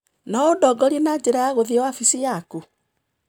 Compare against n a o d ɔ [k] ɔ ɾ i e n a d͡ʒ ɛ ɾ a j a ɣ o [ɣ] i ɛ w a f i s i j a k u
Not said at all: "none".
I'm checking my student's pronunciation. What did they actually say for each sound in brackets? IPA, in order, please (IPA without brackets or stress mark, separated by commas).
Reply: ɡ, ð